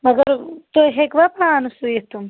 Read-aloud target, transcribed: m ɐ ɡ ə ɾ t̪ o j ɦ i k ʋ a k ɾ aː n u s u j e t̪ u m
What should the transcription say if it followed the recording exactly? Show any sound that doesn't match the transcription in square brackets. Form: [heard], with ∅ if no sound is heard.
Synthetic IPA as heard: m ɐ ɡ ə ɾ t̪ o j ɦ [e] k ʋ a [p] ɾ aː n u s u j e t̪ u m

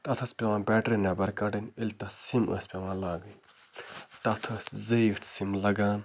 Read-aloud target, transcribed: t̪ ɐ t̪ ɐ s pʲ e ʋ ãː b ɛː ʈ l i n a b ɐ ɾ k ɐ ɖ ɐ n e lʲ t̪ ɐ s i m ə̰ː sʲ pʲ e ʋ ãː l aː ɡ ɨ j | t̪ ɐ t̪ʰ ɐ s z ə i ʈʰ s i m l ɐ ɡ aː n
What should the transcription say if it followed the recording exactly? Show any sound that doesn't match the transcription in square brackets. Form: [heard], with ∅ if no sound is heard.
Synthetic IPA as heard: t̪ ɐ [t̪ʰ] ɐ s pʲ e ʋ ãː b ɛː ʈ [ɾ] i n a b ɐ ɾ k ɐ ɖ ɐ n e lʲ t̪ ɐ s i m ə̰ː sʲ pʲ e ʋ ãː l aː ɡ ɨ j | t̪ ɐ t̪ʰ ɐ s z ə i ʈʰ s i m l ɐ ɡ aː n

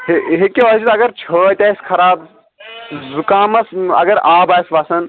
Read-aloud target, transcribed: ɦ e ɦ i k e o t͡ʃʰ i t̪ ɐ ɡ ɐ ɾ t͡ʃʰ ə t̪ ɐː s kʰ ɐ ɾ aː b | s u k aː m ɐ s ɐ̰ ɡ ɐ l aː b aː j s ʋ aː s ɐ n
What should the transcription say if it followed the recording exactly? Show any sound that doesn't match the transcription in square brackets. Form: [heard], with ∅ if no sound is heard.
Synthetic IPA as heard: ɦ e ɦ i k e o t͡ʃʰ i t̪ ɐ ɡ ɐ ɾ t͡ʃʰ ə t̪ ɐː s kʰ ɐ ɾ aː b | [z] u k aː m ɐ s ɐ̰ ɡ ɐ [ɾ] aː b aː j s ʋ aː s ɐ n

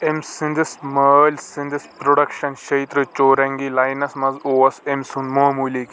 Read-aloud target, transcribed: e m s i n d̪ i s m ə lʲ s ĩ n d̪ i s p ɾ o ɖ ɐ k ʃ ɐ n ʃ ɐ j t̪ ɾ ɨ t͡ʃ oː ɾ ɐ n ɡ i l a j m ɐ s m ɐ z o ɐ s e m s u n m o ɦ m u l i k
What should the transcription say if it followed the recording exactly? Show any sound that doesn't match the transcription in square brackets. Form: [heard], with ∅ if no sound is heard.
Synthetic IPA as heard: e m s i n d̪ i s m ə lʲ s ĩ n d̪ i s p ɾ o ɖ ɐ k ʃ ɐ n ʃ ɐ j t̪ ɾ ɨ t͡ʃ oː ɾ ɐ [ŋ] ɡ i l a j [n] ɐ s m ɐ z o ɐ s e m s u n m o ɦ m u l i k

